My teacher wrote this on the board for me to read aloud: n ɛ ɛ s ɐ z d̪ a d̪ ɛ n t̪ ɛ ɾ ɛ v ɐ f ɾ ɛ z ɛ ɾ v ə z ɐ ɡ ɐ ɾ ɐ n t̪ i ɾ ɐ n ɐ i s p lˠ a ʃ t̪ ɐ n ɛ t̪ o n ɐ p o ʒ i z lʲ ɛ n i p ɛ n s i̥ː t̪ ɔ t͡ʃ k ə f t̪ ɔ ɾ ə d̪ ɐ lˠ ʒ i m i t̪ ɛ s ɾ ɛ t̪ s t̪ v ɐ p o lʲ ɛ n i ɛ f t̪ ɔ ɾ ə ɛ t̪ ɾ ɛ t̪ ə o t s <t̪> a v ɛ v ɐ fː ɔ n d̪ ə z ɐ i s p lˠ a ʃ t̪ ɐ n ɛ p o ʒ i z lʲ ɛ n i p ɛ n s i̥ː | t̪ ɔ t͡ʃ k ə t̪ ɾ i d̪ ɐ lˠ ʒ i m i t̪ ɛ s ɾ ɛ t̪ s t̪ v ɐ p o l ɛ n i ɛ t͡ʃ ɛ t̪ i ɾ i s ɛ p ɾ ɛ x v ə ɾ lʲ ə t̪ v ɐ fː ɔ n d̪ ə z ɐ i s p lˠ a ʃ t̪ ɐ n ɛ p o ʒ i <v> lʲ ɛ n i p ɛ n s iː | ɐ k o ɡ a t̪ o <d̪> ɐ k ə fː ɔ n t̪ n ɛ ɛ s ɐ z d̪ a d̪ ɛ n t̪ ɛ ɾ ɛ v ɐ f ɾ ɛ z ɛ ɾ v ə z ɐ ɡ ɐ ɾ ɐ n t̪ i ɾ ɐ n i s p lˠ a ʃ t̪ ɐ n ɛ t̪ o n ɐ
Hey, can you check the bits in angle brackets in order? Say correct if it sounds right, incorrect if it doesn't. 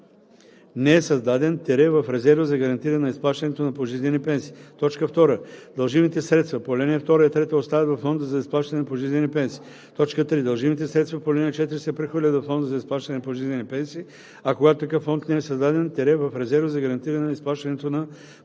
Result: correct, incorrect: z, incorrect: t̪

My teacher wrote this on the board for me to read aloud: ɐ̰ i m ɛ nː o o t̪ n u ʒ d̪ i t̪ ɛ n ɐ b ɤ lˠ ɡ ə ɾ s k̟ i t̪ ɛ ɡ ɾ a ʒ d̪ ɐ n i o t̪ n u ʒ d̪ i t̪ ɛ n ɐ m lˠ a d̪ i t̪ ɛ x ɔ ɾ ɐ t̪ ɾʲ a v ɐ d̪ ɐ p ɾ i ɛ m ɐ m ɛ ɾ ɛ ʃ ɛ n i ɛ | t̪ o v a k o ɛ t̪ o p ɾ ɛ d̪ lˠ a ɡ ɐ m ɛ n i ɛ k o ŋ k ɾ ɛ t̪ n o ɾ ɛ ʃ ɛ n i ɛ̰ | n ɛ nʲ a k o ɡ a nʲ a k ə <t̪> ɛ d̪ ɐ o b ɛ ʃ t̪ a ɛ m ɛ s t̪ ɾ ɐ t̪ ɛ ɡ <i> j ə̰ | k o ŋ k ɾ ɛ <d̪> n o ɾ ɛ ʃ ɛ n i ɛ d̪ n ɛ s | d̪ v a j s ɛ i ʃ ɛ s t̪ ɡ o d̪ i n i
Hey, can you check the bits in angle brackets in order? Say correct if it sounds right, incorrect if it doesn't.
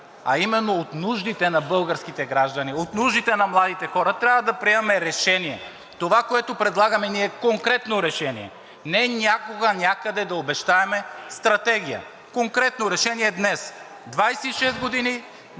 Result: incorrect: d̪, correct, incorrect: t̪

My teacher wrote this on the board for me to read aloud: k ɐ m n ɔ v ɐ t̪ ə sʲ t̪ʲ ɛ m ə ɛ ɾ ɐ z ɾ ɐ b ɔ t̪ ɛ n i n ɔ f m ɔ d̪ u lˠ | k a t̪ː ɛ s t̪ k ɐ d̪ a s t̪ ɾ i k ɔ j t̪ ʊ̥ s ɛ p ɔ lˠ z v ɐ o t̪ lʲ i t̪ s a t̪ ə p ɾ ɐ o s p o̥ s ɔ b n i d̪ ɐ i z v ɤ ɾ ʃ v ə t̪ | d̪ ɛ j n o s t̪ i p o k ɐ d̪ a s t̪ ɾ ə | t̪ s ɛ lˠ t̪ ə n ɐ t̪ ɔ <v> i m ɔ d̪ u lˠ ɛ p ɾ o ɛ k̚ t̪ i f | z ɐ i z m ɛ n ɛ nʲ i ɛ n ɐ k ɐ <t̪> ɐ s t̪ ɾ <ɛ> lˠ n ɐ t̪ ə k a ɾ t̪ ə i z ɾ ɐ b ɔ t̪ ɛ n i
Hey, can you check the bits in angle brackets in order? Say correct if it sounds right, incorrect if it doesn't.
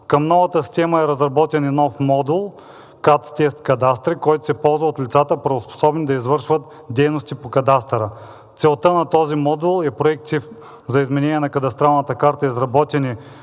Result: incorrect: z, incorrect: d̪, incorrect: a

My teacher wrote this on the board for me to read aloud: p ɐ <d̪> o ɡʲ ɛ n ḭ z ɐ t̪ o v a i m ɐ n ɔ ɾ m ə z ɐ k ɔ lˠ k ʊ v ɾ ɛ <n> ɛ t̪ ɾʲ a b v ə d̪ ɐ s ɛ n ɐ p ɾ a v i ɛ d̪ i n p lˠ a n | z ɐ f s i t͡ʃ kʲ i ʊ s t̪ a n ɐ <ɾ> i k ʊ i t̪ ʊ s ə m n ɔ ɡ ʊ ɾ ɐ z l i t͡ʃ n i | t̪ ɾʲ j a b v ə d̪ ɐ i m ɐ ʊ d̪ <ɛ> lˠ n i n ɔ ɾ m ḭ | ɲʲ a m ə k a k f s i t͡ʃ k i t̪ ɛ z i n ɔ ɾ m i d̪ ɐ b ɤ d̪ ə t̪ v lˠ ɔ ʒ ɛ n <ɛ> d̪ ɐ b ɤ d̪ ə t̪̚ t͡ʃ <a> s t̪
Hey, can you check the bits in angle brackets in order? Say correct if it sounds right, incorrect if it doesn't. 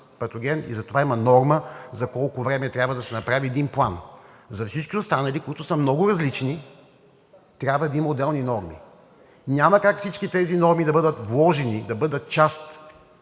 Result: incorrect: t̪, incorrect: m, incorrect: l, correct, incorrect: i, correct

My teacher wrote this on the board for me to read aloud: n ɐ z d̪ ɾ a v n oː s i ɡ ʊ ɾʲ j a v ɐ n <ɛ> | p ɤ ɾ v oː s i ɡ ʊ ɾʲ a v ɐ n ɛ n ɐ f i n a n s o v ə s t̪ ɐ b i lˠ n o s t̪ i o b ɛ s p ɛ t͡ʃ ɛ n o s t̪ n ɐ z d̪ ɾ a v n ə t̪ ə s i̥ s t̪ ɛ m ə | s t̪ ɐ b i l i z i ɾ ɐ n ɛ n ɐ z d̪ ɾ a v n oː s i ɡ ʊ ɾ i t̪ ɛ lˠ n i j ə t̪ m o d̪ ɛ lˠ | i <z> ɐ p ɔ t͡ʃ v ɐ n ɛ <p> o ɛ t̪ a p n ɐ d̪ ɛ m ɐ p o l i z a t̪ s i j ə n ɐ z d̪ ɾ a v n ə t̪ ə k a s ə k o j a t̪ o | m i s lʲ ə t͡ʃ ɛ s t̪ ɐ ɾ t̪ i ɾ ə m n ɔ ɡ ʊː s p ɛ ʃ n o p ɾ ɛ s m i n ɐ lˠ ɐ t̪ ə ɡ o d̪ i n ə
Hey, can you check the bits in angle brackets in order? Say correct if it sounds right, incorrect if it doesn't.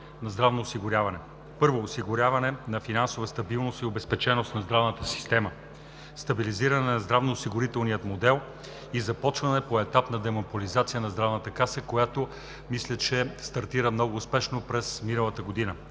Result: correct, correct, correct

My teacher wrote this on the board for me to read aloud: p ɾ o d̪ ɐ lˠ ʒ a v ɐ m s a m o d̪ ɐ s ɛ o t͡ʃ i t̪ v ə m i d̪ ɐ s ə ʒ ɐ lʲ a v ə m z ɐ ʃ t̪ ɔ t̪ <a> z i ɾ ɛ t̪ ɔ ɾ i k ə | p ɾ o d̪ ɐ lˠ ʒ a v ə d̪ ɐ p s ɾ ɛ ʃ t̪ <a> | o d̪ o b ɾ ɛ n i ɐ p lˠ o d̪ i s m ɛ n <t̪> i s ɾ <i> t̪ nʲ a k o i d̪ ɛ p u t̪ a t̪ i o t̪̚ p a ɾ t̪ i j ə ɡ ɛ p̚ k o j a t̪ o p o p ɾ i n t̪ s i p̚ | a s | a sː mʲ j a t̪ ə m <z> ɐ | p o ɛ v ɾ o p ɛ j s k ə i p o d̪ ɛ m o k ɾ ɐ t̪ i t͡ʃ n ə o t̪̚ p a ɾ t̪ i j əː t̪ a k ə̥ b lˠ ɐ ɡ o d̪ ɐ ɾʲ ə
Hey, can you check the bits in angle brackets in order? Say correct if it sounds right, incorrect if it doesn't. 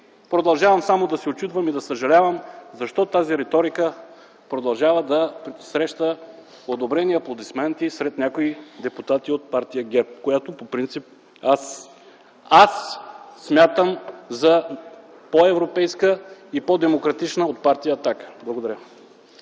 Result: correct, incorrect: ə, correct, incorrect: ɛ, correct

